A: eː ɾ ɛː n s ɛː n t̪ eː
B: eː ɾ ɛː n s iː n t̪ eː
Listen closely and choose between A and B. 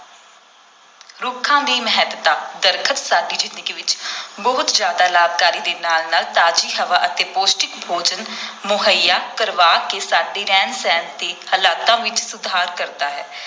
A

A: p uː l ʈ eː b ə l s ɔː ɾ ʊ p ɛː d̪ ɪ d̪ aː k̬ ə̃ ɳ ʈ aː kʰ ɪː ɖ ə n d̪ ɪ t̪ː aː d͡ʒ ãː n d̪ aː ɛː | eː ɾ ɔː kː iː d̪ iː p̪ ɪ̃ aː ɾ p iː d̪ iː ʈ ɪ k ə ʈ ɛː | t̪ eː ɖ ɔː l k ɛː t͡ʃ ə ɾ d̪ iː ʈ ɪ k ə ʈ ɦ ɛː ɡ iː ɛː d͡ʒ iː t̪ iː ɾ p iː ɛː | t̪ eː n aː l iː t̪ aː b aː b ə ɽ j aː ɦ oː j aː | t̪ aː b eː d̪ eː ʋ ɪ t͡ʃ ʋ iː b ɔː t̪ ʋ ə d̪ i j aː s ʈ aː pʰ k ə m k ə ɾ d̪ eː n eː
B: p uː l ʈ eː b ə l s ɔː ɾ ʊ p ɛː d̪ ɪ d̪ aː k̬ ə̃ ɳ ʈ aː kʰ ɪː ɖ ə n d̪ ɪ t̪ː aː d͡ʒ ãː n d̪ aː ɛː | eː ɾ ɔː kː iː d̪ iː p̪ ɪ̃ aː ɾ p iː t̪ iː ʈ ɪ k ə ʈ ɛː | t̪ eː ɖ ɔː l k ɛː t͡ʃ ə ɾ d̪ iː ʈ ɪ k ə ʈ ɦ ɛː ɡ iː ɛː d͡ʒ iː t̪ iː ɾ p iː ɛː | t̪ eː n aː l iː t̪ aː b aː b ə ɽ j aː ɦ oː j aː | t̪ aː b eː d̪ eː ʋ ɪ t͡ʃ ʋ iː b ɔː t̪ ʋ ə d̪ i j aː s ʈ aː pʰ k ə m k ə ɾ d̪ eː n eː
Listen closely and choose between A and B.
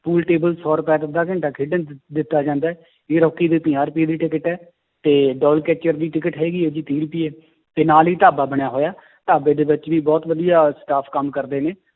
A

